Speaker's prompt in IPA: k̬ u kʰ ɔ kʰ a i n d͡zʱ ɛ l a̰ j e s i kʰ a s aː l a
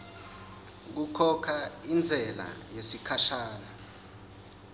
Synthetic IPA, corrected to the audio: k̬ u kʰ ɔ kʰ a i n d͡zʱ ɛ l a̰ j e s i kʰ a ʃ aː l a